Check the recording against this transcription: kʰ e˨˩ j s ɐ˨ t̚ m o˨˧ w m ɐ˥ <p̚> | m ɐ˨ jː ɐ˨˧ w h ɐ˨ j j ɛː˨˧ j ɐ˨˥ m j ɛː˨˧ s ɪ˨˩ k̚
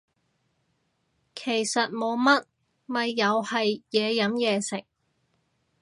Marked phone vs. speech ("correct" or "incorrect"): incorrect